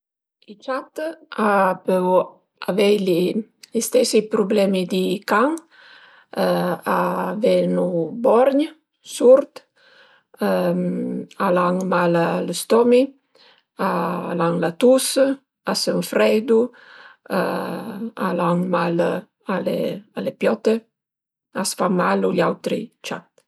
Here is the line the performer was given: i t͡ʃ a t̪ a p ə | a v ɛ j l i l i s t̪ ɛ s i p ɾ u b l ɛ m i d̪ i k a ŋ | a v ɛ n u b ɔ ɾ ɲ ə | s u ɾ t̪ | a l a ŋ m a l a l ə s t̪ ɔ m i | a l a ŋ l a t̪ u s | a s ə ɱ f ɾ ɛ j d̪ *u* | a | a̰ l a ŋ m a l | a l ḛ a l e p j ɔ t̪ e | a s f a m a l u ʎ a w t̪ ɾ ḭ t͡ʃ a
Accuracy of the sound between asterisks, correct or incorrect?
correct